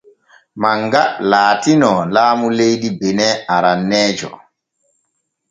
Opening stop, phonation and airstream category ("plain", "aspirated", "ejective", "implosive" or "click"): plain